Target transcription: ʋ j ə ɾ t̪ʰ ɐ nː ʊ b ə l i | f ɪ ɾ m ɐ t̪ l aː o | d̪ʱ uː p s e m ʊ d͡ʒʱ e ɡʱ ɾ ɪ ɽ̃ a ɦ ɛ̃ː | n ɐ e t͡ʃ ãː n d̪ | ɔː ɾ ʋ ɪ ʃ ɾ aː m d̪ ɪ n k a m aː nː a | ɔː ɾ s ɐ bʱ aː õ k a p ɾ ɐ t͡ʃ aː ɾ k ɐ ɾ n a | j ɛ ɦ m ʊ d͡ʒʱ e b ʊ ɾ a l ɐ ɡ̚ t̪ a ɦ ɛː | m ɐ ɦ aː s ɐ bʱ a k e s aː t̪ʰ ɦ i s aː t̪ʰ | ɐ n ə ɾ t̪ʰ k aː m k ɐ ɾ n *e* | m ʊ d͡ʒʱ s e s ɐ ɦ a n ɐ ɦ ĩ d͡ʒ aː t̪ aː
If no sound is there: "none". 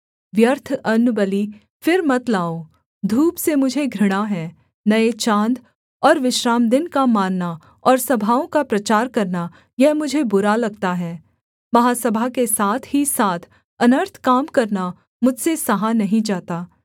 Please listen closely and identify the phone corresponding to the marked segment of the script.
a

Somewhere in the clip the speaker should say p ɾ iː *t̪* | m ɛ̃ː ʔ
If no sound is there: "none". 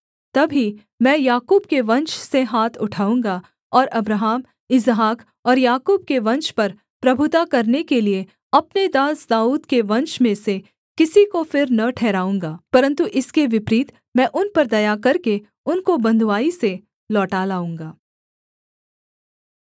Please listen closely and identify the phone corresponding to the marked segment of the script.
t̪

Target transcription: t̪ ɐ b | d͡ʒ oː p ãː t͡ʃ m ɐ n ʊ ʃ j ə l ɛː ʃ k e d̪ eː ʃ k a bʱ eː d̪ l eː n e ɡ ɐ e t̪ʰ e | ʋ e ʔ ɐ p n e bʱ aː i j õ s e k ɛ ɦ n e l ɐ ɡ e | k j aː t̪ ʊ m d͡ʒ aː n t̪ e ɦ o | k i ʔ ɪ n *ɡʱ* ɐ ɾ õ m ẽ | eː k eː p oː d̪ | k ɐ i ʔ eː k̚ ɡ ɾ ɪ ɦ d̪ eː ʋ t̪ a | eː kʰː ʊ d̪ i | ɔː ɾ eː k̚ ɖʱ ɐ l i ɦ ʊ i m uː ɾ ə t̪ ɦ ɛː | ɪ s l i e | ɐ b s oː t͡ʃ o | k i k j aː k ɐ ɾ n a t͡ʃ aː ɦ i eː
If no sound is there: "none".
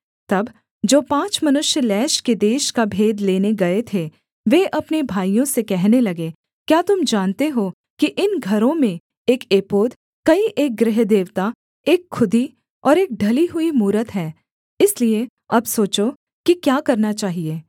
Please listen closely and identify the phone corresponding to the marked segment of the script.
ɡʱ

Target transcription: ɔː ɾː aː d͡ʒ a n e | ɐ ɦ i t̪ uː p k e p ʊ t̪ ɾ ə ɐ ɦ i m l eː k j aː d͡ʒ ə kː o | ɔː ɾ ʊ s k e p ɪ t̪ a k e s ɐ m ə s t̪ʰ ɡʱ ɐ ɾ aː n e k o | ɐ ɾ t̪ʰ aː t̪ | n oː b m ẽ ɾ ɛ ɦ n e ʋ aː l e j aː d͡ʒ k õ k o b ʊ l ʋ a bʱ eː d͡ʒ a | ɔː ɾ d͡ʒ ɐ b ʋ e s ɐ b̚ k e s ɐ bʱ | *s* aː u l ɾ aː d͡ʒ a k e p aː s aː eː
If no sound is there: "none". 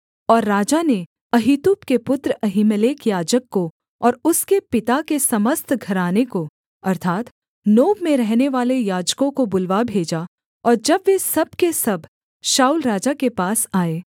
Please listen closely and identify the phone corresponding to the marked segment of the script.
ʃ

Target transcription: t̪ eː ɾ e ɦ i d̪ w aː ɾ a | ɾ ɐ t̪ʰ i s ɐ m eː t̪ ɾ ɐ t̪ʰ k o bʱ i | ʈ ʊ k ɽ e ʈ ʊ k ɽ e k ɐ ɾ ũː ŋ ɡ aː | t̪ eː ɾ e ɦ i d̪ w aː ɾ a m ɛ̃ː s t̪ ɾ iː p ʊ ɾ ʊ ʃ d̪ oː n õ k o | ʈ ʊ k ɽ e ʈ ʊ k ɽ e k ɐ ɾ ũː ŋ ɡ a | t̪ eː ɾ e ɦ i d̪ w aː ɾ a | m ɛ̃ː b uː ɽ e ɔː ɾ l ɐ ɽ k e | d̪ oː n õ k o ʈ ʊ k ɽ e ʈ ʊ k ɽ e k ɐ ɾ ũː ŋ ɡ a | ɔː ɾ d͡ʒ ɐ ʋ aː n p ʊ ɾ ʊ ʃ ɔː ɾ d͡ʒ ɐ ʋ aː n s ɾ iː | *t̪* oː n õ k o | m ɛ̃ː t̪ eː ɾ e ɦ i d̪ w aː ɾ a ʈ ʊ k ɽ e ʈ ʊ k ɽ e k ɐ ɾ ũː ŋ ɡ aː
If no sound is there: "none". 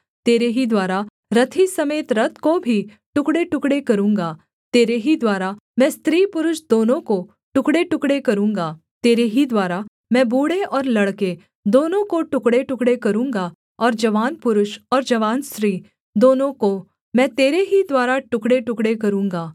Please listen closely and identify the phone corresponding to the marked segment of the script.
d̪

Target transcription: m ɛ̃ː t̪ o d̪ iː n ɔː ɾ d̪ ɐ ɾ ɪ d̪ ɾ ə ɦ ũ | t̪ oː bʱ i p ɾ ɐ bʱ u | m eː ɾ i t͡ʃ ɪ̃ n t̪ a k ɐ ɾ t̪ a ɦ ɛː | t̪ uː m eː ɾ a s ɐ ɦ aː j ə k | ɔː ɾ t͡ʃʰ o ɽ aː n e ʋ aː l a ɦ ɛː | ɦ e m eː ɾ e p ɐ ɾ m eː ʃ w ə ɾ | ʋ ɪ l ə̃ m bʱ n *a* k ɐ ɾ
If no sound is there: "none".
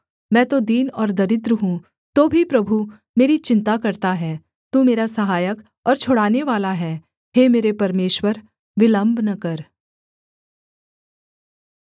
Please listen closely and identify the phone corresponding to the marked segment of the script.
ɐ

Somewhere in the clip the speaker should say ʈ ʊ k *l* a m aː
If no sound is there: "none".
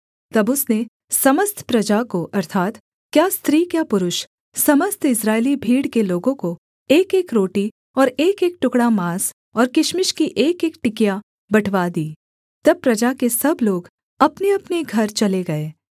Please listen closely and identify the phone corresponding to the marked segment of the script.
ɽ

